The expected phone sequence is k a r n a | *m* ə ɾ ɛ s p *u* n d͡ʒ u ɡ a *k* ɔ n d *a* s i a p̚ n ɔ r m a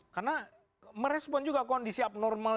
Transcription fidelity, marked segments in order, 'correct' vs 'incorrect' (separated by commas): correct, incorrect, correct, incorrect